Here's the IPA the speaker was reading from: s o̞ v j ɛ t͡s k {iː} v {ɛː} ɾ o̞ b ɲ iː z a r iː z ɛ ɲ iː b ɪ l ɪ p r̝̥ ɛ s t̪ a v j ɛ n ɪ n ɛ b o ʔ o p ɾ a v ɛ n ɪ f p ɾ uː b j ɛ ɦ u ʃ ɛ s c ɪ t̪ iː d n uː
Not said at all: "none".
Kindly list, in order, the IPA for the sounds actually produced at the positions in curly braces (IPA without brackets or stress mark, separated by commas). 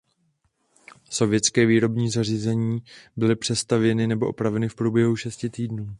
ɛː, iː